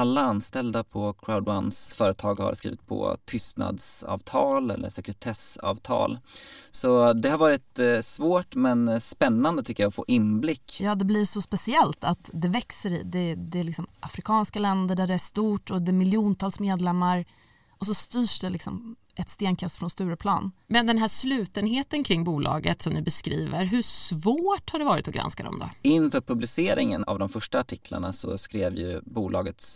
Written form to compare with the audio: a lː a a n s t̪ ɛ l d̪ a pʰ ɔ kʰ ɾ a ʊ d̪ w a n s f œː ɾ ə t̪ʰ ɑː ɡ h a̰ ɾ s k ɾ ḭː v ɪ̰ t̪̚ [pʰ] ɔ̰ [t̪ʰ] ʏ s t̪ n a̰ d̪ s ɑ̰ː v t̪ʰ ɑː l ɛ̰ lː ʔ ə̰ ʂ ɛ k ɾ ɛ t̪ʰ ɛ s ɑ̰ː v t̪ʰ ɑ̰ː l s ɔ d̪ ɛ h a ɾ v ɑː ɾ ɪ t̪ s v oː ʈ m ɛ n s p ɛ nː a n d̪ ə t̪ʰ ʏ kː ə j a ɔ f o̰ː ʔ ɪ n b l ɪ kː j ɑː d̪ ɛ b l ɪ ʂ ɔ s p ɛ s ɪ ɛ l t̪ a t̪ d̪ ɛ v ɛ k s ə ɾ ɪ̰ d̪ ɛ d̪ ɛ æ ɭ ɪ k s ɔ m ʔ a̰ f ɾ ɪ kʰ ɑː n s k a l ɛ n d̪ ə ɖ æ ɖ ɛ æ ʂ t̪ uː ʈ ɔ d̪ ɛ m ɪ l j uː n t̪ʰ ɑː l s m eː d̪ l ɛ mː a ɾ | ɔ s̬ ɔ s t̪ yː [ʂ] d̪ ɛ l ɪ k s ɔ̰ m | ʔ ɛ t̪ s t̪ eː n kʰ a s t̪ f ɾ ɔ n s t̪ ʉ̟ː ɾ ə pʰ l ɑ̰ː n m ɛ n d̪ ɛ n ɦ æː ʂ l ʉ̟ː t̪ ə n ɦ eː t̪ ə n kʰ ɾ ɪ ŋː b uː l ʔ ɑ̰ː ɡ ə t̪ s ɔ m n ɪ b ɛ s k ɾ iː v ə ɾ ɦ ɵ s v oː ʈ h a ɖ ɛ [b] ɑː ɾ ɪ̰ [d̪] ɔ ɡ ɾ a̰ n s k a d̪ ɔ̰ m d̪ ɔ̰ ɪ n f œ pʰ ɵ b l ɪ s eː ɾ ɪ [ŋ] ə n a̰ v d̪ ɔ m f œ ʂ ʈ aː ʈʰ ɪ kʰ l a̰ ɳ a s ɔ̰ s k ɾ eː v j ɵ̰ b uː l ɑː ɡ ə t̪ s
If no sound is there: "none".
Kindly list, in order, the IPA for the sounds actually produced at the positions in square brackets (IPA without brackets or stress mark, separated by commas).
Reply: pʰ, t̪ʰ, ʂ, v, t̪, ŋ